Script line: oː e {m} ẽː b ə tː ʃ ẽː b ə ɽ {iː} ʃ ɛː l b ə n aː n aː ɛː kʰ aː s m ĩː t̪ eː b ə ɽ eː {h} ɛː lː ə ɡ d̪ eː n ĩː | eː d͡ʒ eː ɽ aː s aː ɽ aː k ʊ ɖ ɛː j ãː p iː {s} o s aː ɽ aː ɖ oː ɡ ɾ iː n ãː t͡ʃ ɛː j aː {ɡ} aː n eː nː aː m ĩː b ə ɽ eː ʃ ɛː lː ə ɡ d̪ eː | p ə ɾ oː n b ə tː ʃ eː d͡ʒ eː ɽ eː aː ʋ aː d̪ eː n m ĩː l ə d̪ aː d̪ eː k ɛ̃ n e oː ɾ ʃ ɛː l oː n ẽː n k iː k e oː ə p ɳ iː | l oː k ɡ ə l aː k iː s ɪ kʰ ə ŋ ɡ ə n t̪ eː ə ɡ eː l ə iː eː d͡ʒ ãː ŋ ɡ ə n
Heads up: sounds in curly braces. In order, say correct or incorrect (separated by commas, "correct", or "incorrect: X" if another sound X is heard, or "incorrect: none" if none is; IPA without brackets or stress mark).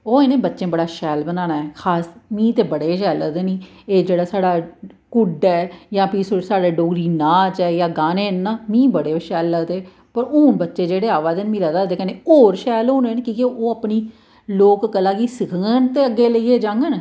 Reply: incorrect: n, incorrect: aː, incorrect: ʃ, correct, correct